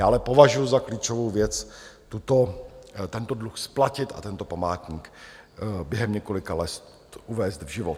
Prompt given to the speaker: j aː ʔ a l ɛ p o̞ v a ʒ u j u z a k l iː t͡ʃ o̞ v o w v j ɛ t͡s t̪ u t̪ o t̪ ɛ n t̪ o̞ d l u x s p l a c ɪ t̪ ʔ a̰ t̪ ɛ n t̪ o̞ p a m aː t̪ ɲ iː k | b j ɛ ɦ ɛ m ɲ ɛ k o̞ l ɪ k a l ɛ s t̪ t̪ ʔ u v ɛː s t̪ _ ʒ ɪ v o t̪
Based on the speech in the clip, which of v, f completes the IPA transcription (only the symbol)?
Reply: v